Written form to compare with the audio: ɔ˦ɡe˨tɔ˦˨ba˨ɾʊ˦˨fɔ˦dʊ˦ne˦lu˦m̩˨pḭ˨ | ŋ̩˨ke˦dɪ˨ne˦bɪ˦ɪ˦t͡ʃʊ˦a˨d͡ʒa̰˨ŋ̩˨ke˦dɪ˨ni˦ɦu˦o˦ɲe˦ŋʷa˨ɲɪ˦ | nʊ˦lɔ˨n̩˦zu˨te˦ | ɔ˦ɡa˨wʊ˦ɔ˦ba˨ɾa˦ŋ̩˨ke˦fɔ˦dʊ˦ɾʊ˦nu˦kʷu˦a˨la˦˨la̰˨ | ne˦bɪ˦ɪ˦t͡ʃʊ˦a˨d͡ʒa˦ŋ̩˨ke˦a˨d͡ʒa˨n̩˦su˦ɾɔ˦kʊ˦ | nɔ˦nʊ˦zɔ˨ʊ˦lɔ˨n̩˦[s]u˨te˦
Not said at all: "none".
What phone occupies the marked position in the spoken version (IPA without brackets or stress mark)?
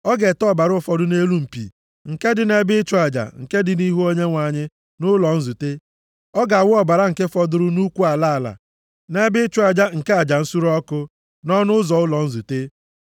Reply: z